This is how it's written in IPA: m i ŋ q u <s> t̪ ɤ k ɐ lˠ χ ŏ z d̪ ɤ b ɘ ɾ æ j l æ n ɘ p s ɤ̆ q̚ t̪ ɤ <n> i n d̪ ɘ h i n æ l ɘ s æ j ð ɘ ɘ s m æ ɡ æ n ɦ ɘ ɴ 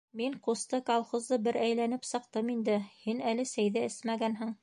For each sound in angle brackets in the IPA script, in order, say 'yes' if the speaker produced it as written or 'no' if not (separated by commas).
yes, no